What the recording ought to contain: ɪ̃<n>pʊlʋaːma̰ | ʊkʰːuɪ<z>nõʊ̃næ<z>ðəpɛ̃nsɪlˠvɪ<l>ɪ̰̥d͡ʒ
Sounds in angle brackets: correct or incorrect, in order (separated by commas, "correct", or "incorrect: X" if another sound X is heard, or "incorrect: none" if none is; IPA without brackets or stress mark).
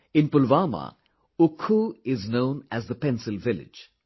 correct, correct, correct, correct